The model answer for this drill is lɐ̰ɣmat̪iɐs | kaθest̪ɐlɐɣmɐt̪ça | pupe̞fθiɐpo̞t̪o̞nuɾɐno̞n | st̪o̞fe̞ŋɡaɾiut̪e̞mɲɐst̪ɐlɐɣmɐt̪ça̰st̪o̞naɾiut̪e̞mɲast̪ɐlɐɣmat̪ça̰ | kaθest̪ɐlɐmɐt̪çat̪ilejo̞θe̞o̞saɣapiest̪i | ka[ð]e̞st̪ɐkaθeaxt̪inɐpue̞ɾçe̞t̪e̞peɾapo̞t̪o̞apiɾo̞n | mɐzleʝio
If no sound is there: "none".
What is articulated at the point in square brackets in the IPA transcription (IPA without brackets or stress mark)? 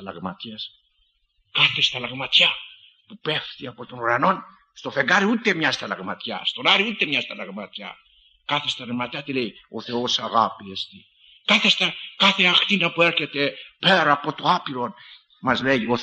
θ